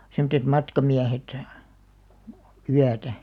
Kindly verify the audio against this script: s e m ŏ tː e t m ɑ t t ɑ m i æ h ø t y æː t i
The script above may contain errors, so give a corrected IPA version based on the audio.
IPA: s e m ŏ tː e t m ɑ t k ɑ m i æ h e t y æ t æ

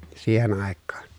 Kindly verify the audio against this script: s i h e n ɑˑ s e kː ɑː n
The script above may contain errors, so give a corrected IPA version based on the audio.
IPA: s iː h e n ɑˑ e kː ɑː n

